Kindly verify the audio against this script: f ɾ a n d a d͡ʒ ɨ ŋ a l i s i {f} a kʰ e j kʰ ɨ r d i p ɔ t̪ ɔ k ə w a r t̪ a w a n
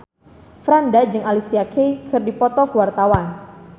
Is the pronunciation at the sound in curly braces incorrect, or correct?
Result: incorrect